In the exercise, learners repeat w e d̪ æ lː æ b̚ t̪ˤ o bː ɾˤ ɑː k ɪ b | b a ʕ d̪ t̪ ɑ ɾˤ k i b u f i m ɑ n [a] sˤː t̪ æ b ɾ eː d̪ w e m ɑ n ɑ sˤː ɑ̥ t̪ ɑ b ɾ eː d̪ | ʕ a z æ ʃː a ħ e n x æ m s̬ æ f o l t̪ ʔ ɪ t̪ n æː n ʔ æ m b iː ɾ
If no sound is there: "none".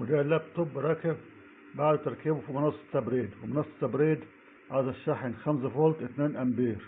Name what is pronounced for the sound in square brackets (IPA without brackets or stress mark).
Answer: ɑ